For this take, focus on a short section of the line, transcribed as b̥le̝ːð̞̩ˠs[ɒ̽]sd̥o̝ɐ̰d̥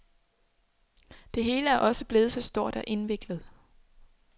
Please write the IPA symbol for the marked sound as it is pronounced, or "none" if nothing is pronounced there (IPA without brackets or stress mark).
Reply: ɒ̽